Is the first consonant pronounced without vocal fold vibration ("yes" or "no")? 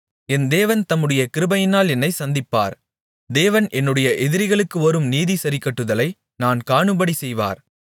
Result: no